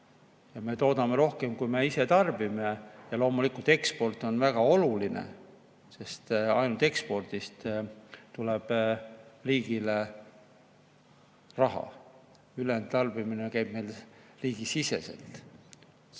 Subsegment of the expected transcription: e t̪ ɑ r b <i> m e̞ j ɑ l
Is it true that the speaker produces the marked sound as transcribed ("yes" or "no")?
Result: yes